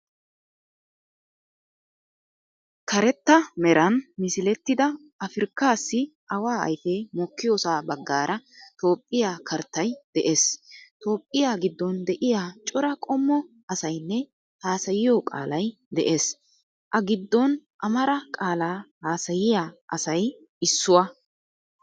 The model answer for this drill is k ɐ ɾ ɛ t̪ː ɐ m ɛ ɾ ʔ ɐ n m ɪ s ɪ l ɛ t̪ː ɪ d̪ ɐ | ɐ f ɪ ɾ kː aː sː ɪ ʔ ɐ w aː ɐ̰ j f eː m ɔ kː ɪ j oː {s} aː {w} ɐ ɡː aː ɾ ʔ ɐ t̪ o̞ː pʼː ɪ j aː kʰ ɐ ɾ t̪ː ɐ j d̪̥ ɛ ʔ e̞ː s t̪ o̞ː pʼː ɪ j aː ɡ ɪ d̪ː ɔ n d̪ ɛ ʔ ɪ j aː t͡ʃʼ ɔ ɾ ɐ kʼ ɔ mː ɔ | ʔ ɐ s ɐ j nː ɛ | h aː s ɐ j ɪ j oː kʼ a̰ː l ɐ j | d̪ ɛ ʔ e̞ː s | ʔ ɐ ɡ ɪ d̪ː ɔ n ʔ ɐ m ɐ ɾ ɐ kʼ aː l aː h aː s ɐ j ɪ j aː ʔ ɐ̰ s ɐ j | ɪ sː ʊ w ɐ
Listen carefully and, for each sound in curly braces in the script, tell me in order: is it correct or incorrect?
correct, incorrect

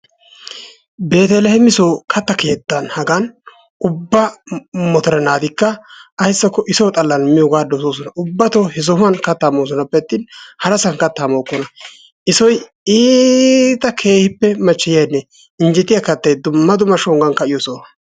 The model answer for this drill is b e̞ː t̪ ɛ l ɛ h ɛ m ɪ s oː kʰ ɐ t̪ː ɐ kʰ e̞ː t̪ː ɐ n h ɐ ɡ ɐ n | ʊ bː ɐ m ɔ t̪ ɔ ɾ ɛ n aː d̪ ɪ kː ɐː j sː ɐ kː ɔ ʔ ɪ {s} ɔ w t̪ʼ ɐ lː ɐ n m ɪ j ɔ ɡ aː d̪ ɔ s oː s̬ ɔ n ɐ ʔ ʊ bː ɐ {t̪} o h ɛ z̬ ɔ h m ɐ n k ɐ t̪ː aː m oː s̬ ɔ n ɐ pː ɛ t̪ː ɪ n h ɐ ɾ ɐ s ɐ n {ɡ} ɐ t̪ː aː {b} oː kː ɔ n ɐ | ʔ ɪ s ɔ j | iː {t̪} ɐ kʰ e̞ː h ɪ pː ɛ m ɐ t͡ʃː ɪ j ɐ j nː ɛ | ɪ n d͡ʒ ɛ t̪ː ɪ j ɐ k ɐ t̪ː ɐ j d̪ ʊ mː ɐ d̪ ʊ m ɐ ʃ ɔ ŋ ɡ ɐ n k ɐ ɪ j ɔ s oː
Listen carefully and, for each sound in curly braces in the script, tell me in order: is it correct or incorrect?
correct, correct, incorrect, incorrect, correct

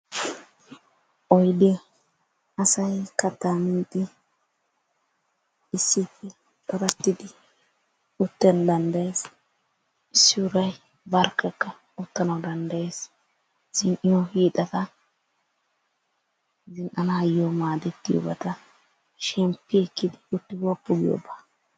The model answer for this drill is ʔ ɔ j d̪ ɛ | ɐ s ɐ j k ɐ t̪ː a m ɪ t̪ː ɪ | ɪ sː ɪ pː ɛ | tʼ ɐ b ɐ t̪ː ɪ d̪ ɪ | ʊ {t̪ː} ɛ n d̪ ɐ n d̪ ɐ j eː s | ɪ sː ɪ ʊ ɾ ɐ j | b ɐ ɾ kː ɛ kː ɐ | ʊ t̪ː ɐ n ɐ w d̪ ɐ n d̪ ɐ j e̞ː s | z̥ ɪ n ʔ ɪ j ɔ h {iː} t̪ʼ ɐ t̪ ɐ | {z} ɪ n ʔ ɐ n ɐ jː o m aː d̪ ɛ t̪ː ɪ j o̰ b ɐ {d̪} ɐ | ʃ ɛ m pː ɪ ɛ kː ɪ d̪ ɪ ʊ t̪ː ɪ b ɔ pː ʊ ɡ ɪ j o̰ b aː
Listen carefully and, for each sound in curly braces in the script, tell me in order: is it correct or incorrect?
correct, correct, correct, incorrect

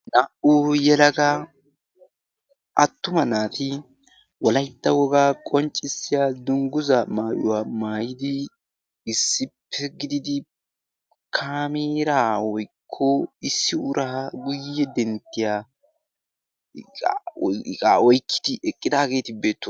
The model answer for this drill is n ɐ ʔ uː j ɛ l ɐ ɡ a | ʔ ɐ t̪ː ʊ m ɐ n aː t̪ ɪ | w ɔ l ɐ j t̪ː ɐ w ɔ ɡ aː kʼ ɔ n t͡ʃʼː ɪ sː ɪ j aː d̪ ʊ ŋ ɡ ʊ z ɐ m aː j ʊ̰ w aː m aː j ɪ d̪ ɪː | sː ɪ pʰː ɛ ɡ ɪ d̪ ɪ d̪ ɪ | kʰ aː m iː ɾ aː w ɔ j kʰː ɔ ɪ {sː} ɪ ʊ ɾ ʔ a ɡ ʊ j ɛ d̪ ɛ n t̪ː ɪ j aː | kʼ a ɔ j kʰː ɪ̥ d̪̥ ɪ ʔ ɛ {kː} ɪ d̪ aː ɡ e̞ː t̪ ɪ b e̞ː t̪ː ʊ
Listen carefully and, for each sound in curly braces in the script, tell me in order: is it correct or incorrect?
correct, incorrect

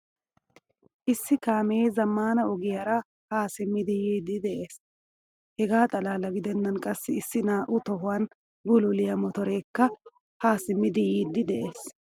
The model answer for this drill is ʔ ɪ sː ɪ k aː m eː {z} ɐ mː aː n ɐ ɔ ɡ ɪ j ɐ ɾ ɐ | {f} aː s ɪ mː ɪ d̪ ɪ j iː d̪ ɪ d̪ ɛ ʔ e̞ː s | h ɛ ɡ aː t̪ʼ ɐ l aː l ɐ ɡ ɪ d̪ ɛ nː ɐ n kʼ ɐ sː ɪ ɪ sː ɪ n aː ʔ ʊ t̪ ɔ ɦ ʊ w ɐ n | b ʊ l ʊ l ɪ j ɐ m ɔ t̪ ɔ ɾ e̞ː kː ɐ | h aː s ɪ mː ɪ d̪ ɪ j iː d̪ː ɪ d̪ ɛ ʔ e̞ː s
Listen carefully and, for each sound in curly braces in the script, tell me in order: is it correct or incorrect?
correct, incorrect

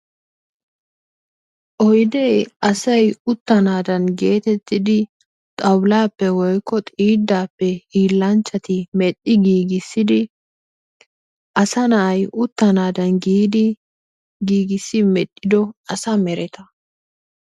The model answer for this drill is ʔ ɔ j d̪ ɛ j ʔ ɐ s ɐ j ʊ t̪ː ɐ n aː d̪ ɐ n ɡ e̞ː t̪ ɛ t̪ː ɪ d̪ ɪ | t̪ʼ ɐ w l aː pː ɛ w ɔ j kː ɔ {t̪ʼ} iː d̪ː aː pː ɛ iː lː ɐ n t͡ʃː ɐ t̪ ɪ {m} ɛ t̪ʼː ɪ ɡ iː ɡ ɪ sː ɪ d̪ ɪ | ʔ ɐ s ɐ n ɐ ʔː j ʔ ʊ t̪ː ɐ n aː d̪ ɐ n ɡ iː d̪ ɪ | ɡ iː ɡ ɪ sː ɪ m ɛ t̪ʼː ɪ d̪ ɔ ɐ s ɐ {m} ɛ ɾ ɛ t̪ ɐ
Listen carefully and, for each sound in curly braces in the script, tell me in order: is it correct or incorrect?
correct, correct, correct

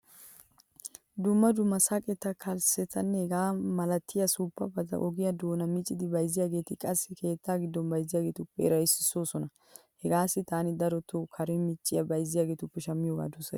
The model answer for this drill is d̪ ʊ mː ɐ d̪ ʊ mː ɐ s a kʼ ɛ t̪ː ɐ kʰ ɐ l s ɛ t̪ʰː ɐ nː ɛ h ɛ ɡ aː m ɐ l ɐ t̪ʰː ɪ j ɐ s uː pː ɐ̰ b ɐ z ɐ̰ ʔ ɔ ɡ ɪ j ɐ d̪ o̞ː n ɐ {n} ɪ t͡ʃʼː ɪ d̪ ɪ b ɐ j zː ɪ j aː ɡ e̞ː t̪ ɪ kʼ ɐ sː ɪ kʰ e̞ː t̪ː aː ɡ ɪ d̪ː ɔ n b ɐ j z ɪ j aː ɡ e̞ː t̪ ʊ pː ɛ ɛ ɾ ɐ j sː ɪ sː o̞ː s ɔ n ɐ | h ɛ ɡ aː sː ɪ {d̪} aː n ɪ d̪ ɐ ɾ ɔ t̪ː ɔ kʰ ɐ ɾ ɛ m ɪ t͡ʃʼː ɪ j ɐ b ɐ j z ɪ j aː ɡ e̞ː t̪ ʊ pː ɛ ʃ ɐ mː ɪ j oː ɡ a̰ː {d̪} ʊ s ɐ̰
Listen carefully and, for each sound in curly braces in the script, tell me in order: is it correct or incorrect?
incorrect, incorrect, correct

